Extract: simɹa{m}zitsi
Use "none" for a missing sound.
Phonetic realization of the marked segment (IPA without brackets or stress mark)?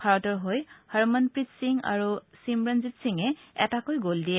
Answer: n